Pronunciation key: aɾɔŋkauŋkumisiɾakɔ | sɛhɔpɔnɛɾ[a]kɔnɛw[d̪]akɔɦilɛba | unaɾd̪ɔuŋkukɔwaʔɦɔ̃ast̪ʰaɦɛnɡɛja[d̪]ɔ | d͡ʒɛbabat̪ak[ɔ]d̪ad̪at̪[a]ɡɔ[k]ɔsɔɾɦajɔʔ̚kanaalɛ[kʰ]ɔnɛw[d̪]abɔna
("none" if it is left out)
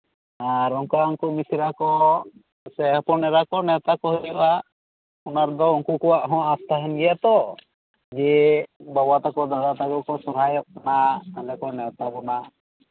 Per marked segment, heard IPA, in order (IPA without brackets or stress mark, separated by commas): a, t̪, t̪, ɔ, a, k, k, t̪